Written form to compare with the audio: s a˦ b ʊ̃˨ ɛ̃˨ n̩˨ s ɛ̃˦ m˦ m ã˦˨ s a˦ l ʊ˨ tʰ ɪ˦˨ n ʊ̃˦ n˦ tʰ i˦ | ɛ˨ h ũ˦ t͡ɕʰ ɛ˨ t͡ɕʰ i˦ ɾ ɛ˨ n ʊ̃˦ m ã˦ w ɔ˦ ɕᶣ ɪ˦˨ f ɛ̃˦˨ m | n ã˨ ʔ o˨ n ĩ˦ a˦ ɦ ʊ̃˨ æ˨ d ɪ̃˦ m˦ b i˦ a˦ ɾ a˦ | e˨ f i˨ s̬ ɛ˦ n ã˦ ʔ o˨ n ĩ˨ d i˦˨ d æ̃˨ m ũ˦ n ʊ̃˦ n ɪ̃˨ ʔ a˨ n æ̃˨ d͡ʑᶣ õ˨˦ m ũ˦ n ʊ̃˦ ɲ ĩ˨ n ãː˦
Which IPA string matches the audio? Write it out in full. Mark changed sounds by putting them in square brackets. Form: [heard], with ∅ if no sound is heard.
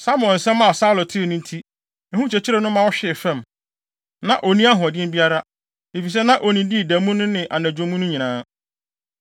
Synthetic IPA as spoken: s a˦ [m] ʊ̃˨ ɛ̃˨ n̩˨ s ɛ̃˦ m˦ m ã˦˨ s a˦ l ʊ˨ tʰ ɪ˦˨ n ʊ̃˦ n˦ tʰ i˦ | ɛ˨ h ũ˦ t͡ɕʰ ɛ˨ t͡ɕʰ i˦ ɾ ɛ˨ n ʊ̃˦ m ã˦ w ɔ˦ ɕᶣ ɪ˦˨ f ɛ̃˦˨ m | n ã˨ ʔ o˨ n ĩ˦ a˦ ɦ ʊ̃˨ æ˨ d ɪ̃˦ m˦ b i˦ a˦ ɾ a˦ | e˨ f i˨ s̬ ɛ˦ n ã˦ ʔ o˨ n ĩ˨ d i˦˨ d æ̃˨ m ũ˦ n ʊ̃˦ n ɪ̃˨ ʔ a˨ n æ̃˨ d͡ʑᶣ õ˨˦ m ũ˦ n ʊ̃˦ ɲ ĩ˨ n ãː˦